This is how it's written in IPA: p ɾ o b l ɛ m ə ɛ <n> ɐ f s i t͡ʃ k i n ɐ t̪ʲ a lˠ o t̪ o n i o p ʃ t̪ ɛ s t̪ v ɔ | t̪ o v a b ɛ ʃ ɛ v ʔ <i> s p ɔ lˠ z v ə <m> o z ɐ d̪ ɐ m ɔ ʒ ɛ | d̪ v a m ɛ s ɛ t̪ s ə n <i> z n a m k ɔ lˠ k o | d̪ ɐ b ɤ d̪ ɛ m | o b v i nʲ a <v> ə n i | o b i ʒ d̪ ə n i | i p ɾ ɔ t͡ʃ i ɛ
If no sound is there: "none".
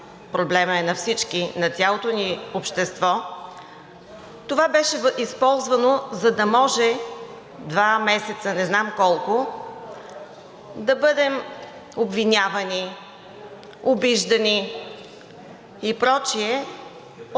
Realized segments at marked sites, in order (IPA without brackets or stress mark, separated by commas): n, i, n, ɛ, v